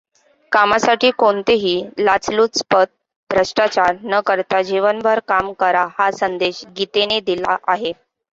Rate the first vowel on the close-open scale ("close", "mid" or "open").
open